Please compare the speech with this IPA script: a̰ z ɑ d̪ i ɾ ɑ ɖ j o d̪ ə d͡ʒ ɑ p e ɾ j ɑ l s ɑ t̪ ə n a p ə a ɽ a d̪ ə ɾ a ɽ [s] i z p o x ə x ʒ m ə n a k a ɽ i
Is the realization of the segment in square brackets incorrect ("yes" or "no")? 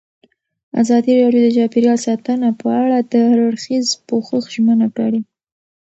yes